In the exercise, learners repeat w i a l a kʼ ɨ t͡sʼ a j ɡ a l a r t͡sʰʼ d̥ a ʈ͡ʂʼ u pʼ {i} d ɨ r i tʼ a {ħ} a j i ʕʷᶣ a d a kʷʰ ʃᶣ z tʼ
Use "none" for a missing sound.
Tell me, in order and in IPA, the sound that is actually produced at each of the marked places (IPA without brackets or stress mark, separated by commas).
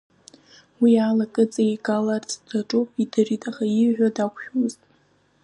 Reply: i, χ